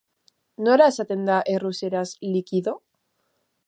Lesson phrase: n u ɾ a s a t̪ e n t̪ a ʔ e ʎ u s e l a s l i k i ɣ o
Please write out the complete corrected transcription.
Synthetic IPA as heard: n o ɾ a s a t̪ e n d̪ a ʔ e r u s e ɾ a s l i k i ð o

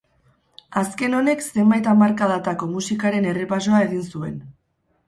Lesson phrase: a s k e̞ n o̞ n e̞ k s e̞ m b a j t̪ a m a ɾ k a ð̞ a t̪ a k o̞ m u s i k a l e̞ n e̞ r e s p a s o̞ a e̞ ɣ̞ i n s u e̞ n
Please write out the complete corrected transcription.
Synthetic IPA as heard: a s k e̞ n o̞ n e̞ k s e̞ m b a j t̪ a m a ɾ k a ð̞ a t̪ a k o̞ m u s i k a ɾ e̞ n e̞ r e p a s o̞ a e̞ ɣ̞ i n s u e̞ n

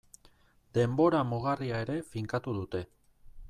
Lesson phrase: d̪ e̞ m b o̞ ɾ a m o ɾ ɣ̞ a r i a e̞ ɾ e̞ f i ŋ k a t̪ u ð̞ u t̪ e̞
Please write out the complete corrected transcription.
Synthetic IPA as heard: d̪ e̞ m b o̞ ɾ a m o ɣ̞ a r i a e̞ ɾ e̞ f i ŋ k a t̪ u ð̞ u t̪ e̞

